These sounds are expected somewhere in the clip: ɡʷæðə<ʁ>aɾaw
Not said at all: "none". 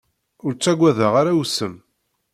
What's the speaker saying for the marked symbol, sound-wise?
ʁ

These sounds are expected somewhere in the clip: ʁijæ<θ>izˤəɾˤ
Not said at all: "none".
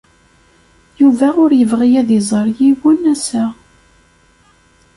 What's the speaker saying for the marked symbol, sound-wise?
ð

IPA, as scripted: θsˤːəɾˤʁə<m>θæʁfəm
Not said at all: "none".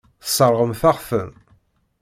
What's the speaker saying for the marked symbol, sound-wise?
m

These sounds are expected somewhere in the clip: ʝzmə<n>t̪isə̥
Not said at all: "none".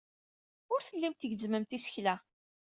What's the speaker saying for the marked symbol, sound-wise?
m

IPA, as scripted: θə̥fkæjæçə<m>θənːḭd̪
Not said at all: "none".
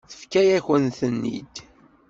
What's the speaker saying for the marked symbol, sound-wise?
n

